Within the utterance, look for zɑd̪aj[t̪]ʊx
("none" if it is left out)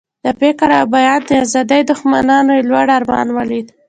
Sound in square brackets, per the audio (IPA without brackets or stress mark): d̪